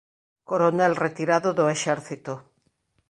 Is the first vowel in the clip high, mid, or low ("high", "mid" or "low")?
mid